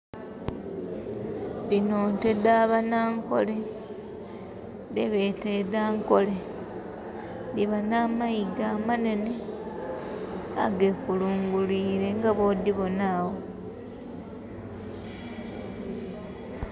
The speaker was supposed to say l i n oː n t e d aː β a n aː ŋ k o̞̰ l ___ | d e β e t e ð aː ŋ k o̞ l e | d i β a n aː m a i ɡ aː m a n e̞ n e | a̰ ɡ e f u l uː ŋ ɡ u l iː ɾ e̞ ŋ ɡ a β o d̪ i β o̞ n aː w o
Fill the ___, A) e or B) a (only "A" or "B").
A